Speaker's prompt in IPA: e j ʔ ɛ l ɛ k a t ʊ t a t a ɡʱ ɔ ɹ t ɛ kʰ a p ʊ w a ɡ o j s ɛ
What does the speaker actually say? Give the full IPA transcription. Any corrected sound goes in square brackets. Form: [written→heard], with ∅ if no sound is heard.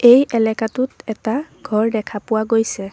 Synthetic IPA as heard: e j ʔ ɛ l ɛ k a t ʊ t [a→ɛ] t a ɡʱ ɔ ɹ [t→d] ɛ kʰ a p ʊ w a ɡ o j s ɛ

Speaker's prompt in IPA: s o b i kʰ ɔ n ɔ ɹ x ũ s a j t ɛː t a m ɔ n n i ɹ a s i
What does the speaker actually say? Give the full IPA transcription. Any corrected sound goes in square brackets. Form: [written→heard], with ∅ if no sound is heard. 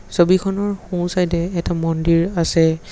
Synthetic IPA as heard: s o b i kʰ ɔ n ɔ ɹ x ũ s a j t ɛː t a m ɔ n [n→d] i ɹ a s [i→ɛ]

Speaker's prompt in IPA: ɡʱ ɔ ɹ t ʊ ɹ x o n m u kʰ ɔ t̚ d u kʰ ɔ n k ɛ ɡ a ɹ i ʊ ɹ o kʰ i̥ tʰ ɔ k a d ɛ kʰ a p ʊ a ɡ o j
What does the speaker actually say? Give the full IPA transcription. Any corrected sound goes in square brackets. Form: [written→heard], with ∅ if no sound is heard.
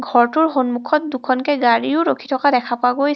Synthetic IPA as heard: ɡʱ ɔ ɹ t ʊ ɹ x o n m u kʰ ɔ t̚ d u kʰ ɔ n k ɛ ɡ a ɹ i ʊ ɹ o kʰ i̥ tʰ ɔ k a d ɛ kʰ a p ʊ a ɡ o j

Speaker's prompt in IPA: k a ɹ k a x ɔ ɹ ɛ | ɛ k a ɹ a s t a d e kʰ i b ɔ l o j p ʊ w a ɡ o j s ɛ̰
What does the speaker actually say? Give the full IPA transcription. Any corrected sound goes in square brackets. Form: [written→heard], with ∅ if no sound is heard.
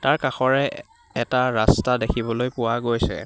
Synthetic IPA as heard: [k→t] a ɹ k a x ɔ ɹ ɛ | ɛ [k→t] a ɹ a s t a d e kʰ i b ɔ l o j p ʊ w a ɡ o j s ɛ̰

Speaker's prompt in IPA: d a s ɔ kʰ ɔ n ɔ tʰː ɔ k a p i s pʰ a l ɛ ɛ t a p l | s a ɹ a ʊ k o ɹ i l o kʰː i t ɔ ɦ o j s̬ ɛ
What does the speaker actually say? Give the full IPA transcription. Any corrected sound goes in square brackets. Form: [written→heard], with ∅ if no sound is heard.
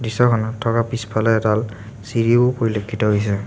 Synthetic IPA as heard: d [a→i] s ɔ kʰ ɔ n ɔ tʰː ɔ k a p i s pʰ a l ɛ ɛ t a [p→∅] l | s [a→i] ɹ [a→i] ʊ [k→p] o ɹ i l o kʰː i t ɔ ɦ o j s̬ ɛ

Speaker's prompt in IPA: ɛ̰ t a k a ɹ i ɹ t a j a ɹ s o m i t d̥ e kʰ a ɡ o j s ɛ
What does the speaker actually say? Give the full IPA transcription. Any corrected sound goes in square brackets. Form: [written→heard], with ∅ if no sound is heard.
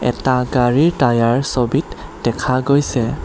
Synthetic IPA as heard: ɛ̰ t a [k→ɡ] a ɹ i ɹ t a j a ɹ s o [m→b] i t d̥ [e→ɛ] kʰ a ɡ o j s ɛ

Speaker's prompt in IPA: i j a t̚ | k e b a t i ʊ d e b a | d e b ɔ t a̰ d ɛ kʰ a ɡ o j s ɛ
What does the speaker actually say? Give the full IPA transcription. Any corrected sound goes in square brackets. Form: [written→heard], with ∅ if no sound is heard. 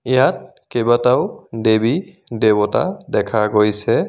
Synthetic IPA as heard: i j a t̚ | k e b a t [i→a] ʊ d e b [a→i] | d e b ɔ t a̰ d ɛ kʰ a ɡ o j s ɛ

